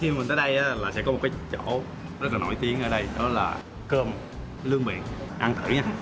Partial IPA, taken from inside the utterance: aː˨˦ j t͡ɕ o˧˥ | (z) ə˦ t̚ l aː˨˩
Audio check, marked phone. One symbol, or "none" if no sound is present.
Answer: z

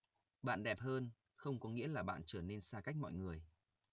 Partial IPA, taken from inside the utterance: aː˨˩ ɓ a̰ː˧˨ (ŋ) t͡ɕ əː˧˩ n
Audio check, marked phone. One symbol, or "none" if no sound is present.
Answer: n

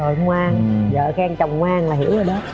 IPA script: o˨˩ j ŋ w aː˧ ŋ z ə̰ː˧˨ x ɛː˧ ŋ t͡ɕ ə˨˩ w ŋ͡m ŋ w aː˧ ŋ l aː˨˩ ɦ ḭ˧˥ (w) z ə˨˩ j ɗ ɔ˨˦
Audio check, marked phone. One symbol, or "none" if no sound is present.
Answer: w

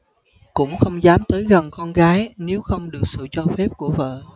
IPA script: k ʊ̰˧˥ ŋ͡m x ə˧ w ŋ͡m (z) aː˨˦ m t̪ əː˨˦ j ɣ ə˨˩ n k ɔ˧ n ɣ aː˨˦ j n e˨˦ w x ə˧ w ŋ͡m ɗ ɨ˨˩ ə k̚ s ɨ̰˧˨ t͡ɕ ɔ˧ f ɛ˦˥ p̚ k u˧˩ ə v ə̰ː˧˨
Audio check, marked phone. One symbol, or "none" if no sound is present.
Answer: z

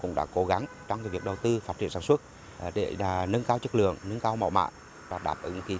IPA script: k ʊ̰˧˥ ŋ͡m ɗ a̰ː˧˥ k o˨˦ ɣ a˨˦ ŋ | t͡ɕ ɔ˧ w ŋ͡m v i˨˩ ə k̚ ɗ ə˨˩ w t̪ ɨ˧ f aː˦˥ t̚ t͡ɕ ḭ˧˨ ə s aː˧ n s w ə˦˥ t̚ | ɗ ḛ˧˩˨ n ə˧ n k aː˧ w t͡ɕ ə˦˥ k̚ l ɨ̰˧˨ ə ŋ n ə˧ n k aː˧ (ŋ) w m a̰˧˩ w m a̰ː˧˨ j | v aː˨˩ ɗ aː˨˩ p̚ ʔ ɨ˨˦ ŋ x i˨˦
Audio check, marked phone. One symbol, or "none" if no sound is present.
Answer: none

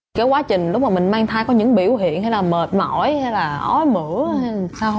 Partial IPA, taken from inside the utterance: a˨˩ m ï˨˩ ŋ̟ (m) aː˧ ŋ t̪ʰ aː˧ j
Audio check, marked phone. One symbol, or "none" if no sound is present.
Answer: m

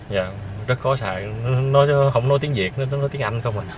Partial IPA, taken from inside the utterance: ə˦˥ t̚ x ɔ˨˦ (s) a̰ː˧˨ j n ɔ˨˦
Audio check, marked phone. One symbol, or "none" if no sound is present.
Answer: s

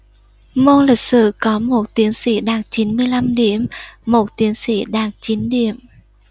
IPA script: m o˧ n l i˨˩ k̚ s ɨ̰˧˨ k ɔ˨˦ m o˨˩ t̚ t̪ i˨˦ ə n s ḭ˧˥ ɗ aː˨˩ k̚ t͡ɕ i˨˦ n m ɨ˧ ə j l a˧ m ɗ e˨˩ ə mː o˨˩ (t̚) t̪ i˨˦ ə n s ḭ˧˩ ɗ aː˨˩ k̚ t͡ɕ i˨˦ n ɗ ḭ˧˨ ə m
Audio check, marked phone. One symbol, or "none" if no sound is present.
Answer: t̚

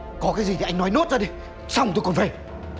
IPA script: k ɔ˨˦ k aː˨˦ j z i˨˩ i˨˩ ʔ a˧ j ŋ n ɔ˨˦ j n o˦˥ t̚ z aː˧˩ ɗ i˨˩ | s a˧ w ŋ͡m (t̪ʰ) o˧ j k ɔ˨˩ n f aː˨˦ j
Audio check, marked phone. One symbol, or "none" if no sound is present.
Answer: t̪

